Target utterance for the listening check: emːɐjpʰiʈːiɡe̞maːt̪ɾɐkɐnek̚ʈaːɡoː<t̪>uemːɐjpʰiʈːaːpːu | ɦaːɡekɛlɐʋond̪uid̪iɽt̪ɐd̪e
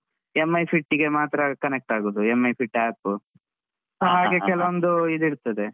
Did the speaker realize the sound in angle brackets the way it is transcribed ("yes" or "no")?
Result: no